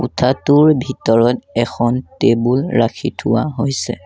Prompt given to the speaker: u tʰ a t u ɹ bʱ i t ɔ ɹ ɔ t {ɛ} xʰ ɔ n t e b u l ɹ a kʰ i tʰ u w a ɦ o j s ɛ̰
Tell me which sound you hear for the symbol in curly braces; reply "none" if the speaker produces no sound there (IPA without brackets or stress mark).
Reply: ɛ